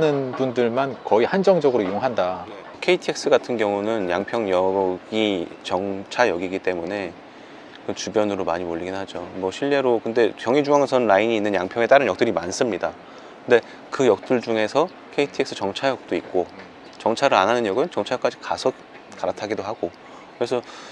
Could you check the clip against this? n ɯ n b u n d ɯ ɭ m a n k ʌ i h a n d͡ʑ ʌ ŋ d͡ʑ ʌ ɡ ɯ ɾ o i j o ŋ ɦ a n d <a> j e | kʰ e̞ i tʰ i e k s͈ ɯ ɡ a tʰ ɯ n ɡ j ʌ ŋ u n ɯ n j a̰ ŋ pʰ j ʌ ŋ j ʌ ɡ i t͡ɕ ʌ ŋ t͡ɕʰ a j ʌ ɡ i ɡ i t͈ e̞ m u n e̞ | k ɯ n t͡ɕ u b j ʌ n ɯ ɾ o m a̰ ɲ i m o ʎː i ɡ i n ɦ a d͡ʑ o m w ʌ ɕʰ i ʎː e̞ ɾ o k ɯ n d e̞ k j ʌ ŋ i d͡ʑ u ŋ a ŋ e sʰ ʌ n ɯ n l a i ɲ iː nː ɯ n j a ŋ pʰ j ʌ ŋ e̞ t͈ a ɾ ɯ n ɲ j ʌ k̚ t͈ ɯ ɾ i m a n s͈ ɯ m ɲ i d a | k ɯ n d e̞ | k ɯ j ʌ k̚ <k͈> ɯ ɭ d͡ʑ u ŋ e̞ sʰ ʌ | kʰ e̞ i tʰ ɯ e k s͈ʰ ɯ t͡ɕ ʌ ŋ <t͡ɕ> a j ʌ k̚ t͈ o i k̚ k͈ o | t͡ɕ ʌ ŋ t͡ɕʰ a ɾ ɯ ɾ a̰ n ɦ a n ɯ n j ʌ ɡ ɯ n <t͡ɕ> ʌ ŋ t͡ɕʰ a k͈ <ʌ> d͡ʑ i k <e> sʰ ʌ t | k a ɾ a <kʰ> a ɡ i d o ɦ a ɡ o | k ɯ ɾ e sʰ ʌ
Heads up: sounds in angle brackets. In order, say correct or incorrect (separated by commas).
correct, incorrect, incorrect, correct, incorrect, incorrect, incorrect